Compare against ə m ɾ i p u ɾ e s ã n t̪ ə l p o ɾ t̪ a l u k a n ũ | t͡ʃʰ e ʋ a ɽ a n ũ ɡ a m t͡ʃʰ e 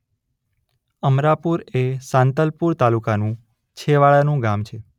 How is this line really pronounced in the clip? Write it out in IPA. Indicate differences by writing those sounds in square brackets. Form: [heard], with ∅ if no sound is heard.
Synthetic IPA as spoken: ə m ɾ [a] p u ɾ e s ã n t̪ ə l p [u] ɾ t̪ a l u k a n ũ | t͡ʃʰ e ʋ a [ɭ] a n ũ ɡ a m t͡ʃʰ e